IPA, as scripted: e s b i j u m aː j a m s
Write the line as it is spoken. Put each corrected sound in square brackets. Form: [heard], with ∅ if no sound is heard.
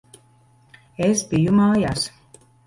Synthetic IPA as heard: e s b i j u m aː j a [∅] s